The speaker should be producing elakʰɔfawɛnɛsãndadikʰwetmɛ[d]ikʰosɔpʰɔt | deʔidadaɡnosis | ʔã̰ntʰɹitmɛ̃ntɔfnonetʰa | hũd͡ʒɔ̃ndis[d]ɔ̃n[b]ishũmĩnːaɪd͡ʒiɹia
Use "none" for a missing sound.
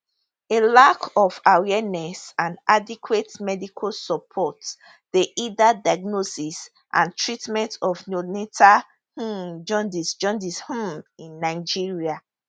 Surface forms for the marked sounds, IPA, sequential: d, d͡ʒ, d

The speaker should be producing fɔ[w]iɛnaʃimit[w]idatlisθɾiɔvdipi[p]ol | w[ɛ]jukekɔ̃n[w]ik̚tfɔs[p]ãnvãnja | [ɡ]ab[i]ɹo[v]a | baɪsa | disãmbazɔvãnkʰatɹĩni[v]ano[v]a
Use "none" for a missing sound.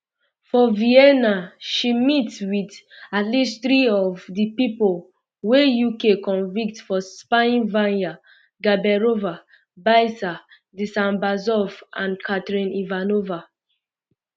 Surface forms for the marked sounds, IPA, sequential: v, w, p, e, v, p, ɡ, ɛ, v, v, v

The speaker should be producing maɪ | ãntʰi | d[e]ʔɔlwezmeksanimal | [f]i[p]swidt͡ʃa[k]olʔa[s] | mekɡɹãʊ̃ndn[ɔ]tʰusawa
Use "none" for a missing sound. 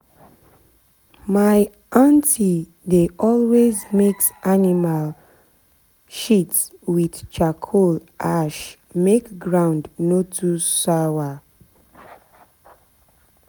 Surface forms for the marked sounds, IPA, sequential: e, ʃ, t, kʰ, ʃ, o

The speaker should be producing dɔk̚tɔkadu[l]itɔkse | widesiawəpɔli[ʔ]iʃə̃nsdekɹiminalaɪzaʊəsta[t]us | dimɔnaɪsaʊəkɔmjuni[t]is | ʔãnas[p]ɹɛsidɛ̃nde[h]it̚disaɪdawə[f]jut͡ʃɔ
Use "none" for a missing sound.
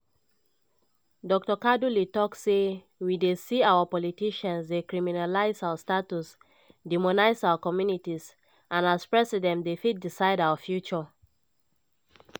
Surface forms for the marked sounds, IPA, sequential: l, t, t, t, p, f, f

